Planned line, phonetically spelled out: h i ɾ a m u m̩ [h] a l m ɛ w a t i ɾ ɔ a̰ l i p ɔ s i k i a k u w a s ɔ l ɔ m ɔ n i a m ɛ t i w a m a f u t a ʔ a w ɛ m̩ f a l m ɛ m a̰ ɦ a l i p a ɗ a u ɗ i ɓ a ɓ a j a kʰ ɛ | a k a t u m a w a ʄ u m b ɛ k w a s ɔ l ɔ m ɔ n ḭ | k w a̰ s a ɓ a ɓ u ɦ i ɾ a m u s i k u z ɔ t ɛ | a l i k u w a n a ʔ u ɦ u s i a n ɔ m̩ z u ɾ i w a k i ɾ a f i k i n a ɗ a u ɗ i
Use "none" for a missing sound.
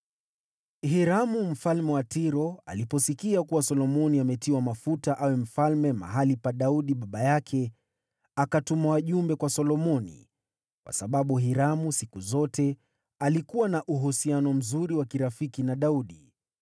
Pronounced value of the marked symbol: f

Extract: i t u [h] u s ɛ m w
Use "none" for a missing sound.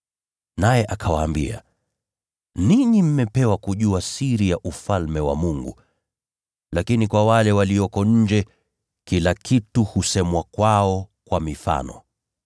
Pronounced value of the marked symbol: h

